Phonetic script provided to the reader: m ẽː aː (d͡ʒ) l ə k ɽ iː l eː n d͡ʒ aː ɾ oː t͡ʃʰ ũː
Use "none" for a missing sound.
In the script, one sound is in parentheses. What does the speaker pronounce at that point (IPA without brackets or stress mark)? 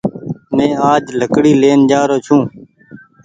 d͡ʒ